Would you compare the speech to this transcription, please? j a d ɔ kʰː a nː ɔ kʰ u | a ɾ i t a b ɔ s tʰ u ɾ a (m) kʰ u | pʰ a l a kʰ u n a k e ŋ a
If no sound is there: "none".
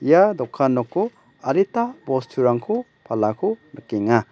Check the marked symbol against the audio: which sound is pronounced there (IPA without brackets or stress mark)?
ŋ